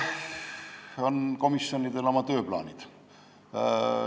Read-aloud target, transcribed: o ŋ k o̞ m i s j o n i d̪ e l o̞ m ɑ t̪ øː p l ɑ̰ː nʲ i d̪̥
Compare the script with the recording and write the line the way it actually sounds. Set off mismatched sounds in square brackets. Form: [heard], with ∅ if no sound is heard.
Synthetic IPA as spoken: o [n] k o̞ m i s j o n i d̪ e l o̞ m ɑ t̪ øː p l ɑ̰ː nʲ i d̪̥

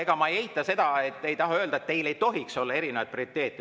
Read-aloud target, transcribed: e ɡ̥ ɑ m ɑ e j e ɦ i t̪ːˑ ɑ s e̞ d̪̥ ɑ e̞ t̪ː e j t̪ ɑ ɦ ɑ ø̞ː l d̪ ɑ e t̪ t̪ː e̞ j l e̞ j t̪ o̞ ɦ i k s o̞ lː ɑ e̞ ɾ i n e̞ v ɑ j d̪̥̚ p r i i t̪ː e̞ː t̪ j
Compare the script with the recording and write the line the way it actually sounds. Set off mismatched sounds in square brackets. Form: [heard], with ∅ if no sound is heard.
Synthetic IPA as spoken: e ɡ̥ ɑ m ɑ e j e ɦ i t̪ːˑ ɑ s e̞ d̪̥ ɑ e̞ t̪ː e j t̪ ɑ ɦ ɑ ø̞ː l d̪ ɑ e t̪ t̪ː e̞ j l e̞ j t̪ o̞ ɦ i k s o̞ lː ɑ e̞ ɾ i n e̞ v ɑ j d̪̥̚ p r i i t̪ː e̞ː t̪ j

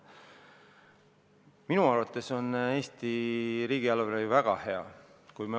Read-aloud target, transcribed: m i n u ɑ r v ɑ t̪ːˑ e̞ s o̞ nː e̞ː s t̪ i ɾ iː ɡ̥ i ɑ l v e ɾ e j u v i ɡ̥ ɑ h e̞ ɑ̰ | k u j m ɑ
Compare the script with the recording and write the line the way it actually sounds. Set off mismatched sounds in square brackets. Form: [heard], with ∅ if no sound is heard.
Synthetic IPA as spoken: m i n u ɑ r v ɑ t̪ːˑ e̞ s o̞ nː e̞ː s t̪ i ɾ iː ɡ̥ i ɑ l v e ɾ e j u v [æ] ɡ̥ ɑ h e̞ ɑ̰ | k u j m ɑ

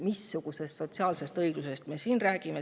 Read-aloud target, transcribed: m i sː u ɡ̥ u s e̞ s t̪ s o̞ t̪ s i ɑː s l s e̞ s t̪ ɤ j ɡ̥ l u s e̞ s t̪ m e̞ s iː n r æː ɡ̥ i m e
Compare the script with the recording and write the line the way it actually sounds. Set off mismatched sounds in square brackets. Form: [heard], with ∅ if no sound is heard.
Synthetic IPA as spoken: m i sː u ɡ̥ u s e̞ s t̪ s o̞ t̪ s i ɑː [∅] l s e̞ s t̪ ɤ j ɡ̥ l u s e̞ s t̪ m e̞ s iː n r æː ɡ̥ i m e

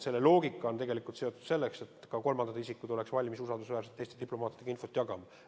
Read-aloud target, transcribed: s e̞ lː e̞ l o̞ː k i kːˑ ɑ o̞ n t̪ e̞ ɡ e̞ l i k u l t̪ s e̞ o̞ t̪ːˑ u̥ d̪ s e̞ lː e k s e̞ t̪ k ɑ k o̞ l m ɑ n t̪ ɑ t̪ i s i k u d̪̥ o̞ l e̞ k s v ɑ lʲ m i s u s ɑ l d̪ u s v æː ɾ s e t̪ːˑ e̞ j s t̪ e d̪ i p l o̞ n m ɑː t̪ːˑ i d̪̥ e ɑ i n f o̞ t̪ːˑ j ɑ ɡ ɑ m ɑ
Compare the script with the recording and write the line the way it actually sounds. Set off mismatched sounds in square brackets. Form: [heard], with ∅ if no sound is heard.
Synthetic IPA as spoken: s e̞ lː e̞ l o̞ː [ɡ] i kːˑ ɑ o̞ n t̪ e̞ ɡ e̞ l i k u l t̪ s e̞ o̞ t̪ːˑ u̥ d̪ s e̞ lː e k s e̞ t̪ k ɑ k o̞ l m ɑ n [d̪] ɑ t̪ i s i k u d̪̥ o̞ l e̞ k s v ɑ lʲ m i s u s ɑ l d̪ u s v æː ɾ s e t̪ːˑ e̞ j s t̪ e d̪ i p l o̞ [∅] m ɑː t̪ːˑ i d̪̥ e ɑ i n f o̞ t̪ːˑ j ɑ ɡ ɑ m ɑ

